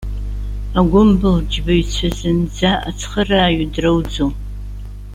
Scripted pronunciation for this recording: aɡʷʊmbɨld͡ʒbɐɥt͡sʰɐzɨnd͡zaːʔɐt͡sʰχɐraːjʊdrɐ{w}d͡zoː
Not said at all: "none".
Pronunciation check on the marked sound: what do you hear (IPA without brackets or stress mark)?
w